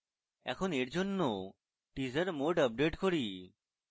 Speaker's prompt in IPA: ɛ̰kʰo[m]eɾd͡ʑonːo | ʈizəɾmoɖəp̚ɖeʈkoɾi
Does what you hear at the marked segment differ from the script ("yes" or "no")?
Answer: yes